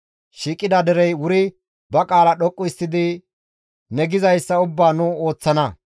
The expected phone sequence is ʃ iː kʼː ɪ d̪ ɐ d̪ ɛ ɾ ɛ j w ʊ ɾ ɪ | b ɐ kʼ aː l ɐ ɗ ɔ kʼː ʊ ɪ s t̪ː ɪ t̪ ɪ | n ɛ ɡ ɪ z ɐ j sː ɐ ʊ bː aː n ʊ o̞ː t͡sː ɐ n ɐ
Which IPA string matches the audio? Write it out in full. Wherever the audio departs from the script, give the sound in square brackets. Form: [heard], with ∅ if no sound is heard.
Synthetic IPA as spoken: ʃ iː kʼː ɪ d̪ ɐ d̪ ɛ ɾ ɛ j w ʊ ɾ ɪ | b ɐ kʼ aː l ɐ ɗ ɔ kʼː ʊ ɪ s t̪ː ɪ [d̪] ɪ | n ɛ ɡ ɪ z ɐ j sː ɐ ʊ bː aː n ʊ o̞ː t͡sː ɐ n ɐ